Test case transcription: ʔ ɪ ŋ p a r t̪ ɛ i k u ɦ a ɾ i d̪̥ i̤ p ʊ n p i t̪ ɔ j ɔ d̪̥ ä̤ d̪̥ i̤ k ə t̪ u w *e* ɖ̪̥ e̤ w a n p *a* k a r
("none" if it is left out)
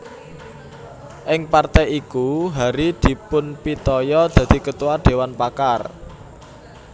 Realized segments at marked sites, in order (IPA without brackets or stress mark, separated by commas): a, a